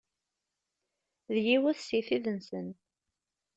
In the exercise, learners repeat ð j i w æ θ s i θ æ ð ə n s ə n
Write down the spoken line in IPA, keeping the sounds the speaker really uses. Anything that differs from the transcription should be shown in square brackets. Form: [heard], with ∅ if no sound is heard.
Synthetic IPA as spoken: ð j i w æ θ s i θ [i] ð ə n s ə n